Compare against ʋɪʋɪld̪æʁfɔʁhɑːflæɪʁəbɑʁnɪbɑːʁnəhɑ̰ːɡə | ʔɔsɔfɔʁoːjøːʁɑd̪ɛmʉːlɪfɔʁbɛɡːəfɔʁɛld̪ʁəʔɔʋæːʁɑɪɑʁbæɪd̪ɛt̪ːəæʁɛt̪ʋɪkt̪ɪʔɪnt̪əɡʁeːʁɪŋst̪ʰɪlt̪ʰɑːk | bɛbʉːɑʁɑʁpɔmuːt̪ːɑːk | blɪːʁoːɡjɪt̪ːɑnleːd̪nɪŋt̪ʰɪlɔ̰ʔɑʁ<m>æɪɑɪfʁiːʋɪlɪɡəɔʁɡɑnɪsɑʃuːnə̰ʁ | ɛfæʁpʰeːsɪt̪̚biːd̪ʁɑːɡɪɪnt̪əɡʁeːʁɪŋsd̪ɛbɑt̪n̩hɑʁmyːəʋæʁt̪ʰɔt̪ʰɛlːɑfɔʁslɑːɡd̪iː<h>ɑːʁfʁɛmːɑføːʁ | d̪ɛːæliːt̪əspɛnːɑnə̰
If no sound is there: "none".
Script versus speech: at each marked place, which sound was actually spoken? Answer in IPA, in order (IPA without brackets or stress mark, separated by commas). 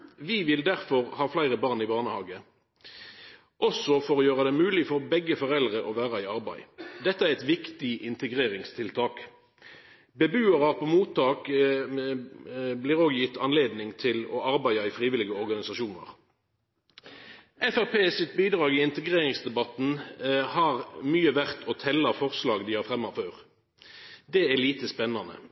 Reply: b, h